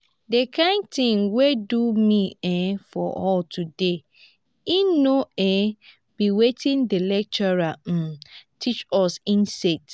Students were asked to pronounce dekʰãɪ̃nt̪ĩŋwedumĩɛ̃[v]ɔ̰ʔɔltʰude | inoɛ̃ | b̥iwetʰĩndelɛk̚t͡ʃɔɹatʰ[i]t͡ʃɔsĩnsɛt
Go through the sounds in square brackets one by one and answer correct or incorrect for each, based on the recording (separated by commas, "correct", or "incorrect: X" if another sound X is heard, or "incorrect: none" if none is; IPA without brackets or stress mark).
incorrect: f, correct